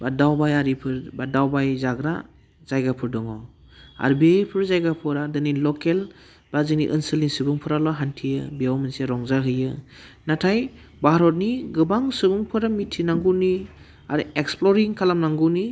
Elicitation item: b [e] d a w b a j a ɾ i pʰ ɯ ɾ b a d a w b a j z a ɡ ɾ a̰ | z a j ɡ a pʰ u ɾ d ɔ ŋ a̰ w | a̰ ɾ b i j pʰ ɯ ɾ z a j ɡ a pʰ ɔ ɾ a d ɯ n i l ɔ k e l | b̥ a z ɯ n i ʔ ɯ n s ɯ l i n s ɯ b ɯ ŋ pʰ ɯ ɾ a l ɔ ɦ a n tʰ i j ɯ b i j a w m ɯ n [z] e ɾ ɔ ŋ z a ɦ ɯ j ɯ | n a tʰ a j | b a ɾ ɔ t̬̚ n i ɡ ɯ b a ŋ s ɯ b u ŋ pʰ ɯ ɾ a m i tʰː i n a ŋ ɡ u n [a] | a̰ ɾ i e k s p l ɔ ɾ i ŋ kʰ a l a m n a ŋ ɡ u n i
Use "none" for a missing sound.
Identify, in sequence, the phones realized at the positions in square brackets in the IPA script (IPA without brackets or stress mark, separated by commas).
a, s, i